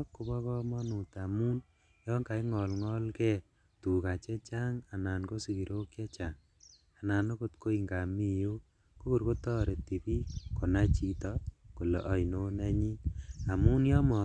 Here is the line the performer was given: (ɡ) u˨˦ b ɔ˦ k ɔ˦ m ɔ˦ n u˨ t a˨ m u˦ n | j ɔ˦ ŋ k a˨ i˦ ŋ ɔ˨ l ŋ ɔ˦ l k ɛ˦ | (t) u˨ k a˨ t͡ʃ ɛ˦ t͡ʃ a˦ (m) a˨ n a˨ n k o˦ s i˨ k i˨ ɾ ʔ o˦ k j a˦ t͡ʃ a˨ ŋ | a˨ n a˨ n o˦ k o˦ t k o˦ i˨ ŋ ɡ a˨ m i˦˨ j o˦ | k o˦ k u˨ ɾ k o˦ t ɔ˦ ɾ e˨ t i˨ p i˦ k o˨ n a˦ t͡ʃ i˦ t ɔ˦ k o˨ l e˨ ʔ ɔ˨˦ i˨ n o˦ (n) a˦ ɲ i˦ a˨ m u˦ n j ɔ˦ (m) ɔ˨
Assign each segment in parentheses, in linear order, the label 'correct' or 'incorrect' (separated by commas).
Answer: incorrect, correct, incorrect, correct, correct